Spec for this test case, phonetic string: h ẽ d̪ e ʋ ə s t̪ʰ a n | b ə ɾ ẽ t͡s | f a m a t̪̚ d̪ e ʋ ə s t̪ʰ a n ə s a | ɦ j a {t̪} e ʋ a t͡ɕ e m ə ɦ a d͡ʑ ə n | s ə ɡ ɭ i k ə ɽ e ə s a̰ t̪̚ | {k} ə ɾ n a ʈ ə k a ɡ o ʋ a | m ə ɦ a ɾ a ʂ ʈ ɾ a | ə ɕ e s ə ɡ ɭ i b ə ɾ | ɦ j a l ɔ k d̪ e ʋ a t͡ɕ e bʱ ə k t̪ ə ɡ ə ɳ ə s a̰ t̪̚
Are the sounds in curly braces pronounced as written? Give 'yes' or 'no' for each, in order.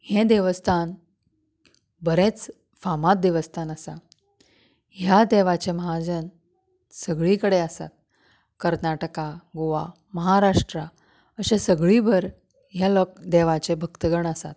no, yes

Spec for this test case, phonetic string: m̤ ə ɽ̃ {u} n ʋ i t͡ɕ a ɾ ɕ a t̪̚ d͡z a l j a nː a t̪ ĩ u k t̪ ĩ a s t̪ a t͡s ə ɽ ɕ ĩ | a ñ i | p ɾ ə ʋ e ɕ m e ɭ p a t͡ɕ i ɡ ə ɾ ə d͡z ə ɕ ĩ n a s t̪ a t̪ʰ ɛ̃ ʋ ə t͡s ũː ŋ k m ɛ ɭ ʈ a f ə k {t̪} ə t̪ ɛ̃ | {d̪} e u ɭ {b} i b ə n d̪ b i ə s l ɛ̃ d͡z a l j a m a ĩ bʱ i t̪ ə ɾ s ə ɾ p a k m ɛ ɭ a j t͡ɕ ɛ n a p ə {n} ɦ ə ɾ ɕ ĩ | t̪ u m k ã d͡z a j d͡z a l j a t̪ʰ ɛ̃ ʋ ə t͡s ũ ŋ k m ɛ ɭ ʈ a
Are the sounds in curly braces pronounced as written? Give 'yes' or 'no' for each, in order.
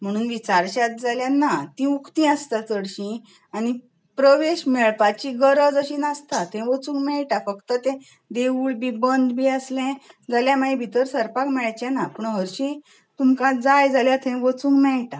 no, yes, yes, yes, no

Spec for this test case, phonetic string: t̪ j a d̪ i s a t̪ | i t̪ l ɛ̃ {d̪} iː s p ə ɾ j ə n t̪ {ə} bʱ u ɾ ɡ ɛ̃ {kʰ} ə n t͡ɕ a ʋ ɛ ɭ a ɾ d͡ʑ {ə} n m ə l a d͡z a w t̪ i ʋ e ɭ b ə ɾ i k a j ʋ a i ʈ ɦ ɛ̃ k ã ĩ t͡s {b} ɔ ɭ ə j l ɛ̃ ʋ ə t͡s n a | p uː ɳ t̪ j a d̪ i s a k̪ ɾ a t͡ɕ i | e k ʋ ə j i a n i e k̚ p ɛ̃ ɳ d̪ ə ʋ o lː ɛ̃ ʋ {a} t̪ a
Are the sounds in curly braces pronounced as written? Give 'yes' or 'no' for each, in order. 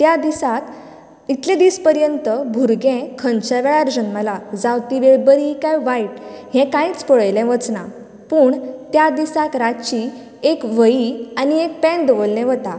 yes, yes, yes, yes, no, no

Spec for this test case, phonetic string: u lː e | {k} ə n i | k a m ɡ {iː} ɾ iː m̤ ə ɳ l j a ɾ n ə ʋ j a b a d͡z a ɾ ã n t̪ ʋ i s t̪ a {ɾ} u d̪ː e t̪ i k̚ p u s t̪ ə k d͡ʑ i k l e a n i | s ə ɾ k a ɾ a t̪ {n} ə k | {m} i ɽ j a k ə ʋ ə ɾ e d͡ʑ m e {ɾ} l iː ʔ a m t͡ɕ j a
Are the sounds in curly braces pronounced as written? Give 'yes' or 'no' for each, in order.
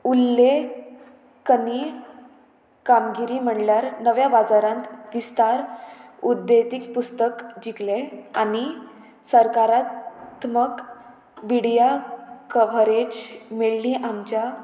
yes, no, yes, no, no, no

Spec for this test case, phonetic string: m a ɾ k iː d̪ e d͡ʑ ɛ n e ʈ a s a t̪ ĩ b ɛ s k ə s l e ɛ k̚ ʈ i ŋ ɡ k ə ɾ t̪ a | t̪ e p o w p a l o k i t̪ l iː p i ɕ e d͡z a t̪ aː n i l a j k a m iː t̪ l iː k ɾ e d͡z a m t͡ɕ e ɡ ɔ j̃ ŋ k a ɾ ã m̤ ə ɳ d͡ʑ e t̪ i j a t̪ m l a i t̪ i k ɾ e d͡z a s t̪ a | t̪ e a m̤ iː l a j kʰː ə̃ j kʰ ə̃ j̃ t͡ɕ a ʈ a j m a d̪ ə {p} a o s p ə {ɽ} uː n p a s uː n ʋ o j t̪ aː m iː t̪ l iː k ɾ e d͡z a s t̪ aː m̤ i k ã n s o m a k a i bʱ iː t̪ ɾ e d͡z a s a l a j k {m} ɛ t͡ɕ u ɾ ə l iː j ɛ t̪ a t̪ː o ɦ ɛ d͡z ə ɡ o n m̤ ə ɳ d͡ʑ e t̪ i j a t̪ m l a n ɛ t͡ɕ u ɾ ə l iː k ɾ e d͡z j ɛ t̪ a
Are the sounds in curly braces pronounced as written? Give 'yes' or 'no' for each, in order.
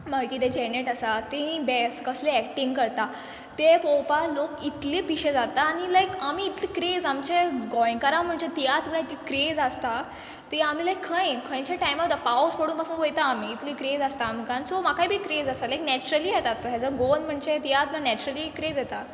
yes, yes, no

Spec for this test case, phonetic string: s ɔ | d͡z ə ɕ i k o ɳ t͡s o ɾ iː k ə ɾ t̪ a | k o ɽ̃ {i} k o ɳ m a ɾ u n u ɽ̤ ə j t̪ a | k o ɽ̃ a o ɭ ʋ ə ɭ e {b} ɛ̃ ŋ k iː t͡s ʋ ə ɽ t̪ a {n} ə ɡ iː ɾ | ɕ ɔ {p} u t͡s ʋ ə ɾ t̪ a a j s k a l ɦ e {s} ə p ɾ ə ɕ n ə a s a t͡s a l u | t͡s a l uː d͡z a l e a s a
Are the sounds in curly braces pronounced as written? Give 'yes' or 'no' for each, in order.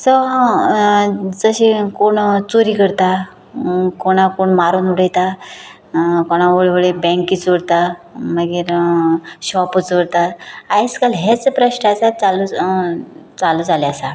no, yes, no, yes, no

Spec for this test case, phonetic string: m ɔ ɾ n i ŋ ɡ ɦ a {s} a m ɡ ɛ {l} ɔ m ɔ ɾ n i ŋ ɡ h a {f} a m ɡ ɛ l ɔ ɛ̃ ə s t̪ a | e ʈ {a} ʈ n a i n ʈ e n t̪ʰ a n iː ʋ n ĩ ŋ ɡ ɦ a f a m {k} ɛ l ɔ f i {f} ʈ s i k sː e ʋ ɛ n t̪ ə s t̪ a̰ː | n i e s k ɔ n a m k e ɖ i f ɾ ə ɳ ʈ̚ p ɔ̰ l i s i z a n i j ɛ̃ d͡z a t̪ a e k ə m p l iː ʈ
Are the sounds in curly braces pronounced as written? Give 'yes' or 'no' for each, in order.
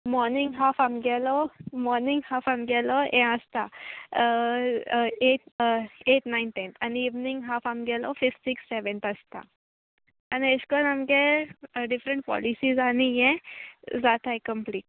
no, yes, yes, no, no, yes

